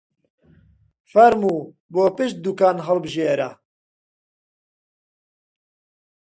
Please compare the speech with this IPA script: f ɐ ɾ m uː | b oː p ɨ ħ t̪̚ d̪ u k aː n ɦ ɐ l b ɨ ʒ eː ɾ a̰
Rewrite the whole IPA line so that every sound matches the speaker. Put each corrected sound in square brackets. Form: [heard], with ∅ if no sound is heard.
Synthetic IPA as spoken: f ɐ ɾ m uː | b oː p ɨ [ʃ] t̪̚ d̪ u k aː n ɦ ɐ l b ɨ ʒ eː ɾ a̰